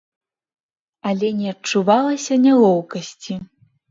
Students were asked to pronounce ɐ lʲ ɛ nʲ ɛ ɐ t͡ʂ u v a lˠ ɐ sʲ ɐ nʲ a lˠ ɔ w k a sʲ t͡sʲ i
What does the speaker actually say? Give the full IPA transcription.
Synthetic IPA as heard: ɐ lʲ ɛ nʲ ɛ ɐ t͡ʂ u v a lˠ ɐ sʲ ɐ nʲ a lˠ ɔ w k ɐ sʲ t͡sʲ i